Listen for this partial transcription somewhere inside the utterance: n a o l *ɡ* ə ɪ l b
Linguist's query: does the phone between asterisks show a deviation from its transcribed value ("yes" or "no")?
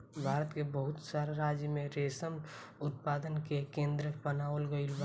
no